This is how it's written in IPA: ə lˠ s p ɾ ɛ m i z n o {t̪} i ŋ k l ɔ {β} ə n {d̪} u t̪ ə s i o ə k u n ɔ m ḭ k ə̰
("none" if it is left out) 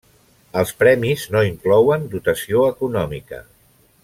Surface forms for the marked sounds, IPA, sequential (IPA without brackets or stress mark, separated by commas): none, w, d̪